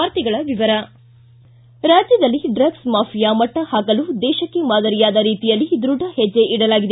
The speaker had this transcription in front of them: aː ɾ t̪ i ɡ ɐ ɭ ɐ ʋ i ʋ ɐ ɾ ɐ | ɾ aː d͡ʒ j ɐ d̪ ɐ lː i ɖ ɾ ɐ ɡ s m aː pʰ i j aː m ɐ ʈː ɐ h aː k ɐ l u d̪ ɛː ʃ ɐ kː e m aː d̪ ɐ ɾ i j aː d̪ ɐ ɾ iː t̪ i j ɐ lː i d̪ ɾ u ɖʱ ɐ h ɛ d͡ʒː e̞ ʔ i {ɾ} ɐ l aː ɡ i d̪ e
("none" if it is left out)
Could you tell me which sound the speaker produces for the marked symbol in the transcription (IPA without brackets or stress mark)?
ɽ